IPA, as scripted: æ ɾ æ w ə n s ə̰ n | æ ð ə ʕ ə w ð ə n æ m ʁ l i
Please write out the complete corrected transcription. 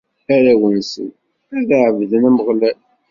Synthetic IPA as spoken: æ ɾ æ w ə n s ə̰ n | æ ð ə ʕ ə v ð ə n æ m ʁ l æ